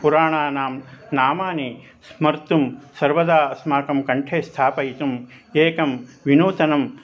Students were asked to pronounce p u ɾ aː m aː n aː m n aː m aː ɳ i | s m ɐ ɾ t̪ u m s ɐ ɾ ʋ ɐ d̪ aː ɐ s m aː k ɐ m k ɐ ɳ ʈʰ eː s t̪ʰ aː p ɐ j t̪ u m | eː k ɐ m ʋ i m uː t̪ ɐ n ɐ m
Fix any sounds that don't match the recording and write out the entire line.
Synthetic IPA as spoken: p u ɾ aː ɳ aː n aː m n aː m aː n i | s m ɐ ɾ t̪ u m s ɐ ɾ ʋ ɐ d̪ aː ɐ s m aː k ɐ m k ɐ ɳ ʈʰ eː s t̪ʰ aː p ɐ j t̪ u m | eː k ɐ m ʋ i n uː t̪ ɐ n ɐ m